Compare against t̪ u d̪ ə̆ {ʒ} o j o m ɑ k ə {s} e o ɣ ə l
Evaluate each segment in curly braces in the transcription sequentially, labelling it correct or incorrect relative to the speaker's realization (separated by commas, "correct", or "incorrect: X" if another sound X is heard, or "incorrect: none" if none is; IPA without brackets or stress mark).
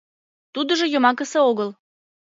correct, correct